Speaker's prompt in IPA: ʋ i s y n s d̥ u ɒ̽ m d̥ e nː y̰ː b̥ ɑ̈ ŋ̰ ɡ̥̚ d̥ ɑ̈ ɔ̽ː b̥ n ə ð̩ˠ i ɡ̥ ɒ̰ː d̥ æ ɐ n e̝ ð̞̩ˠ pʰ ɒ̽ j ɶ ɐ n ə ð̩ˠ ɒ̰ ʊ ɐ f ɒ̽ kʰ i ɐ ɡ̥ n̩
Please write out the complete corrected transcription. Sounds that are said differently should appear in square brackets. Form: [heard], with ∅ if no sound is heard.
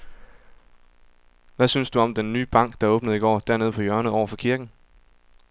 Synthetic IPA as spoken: ʋ [æ] s y n s d̥ u ɒ̽ m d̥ e nː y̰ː b̥ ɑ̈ ŋ̰ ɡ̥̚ d̥ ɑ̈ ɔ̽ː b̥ n ə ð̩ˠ i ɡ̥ ɒ̰ː d̥ æ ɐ n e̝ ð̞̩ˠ pʰ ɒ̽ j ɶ ɐ n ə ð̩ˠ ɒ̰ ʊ ɐ f ɒ̽ kʰ i ɐ ɡ̥ n̩